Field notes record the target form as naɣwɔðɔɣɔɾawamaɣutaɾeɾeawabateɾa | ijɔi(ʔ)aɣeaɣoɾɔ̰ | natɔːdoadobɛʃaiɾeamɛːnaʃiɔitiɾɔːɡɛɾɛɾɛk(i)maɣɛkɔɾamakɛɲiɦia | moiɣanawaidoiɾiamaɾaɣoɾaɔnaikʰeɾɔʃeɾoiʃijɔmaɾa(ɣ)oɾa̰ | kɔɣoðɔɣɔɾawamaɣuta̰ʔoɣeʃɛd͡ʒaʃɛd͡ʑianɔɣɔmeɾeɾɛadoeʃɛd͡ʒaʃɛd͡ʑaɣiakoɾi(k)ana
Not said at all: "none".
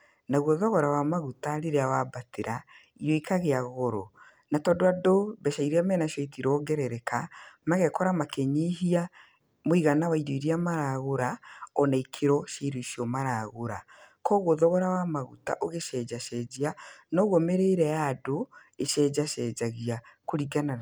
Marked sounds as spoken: k, a, ɣ, ɡ

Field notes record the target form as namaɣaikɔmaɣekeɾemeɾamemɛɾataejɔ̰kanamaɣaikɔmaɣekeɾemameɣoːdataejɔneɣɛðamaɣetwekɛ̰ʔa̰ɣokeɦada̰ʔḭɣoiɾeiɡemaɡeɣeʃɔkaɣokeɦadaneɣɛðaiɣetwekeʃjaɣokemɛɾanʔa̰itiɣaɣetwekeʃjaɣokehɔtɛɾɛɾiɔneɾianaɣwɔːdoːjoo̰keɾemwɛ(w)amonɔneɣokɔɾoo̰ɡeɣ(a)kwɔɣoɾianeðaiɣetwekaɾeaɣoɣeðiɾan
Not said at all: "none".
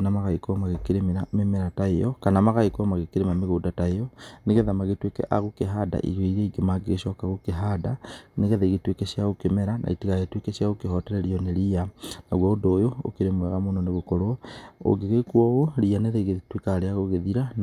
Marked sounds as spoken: ɣ, e

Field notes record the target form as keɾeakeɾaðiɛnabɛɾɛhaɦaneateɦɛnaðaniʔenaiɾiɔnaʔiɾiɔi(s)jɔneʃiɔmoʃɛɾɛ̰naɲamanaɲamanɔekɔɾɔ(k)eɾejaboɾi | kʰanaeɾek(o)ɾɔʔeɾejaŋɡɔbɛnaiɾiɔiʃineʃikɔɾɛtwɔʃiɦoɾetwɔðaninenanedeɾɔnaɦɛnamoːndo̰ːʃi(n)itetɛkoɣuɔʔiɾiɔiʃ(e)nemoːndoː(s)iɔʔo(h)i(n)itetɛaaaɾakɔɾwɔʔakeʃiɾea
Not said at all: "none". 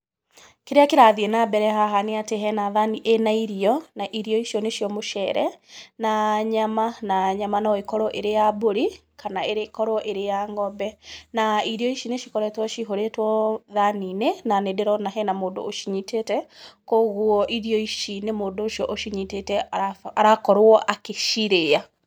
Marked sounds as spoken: ʃ, ʔ, ɔ, ɲ, i, ʃ, ʃ, ɲ

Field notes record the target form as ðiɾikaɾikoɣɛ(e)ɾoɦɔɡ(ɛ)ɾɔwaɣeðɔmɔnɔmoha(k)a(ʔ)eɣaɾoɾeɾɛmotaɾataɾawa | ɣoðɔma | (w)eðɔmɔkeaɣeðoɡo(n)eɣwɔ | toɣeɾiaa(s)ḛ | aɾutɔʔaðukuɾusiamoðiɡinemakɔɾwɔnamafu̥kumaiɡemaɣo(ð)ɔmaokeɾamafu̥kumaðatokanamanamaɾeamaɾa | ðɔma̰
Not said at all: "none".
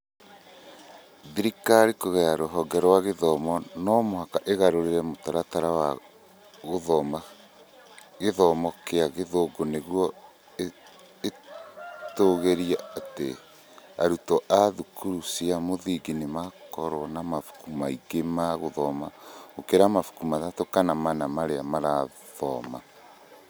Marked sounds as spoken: a, ɛ, k, ʔ, ɣ, n, t, ð

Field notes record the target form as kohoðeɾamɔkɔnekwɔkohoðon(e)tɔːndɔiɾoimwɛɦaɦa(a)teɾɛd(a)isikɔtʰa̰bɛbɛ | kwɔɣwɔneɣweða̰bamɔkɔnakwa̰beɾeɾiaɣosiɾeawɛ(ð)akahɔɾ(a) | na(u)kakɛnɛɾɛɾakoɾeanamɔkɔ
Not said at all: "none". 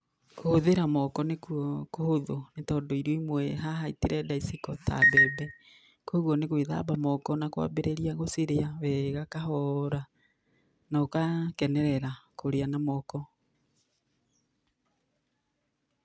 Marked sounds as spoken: e, i, a, ɣ, a, o

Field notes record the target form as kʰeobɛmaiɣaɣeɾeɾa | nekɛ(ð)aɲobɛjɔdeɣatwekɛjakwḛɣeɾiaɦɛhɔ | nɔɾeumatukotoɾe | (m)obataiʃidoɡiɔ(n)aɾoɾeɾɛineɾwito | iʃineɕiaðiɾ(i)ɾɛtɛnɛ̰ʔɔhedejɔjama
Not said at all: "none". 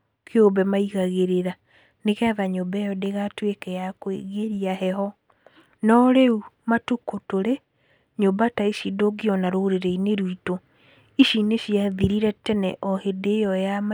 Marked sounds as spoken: ð, ɲ, n, i

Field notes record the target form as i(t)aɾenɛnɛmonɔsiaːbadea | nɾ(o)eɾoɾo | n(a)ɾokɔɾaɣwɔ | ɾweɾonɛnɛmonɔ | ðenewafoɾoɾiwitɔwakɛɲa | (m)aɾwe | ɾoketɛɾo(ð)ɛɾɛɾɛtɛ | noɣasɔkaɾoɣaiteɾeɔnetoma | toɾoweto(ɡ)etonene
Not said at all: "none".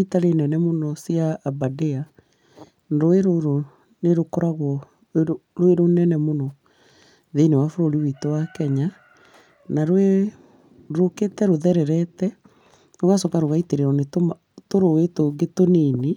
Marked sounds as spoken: t, o, e, n, ð, ɡ

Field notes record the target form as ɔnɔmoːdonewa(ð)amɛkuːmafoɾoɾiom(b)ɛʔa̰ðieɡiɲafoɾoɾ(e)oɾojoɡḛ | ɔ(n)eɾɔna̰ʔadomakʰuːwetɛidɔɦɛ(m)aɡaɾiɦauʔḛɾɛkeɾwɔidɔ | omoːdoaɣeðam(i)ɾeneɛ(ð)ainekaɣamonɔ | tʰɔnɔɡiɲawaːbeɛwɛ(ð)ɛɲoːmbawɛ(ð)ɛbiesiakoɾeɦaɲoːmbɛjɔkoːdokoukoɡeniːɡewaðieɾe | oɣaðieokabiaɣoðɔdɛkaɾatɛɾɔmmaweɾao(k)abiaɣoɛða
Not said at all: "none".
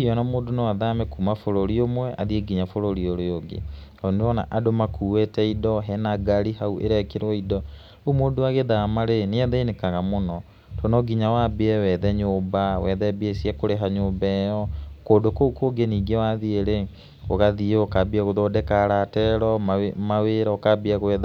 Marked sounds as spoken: ð, w, i, n, n, a, ð, ð, ð, k

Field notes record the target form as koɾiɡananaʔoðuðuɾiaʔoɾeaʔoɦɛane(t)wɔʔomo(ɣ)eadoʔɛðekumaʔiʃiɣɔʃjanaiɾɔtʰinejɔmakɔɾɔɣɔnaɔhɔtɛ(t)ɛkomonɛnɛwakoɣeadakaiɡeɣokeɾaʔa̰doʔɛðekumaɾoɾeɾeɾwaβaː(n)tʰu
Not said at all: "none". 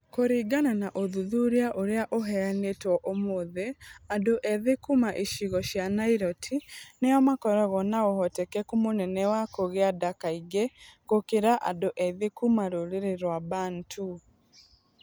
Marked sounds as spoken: t, ð, k, n

